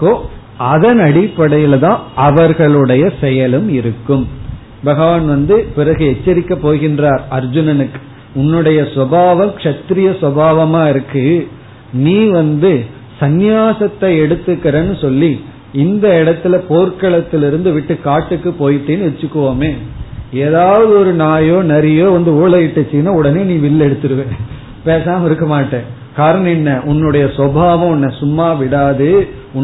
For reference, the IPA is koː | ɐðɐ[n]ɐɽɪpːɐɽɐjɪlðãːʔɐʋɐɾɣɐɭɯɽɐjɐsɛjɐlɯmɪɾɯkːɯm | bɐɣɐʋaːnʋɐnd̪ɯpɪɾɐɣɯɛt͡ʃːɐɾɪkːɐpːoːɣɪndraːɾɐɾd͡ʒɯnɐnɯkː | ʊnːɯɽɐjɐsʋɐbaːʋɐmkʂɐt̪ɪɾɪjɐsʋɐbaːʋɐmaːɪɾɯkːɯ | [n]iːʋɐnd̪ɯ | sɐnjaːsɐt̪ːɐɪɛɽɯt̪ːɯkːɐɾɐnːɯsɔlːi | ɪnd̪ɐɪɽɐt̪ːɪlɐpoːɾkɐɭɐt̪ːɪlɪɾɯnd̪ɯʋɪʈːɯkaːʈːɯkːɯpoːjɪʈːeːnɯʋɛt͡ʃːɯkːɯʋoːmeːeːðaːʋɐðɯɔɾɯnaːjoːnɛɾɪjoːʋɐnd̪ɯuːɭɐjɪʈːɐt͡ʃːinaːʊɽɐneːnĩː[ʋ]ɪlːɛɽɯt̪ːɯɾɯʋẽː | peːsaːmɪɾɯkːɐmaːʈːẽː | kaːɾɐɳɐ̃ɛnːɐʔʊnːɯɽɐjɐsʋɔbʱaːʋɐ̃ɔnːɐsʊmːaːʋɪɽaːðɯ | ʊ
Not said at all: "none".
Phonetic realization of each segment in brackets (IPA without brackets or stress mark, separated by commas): n, n, ʋ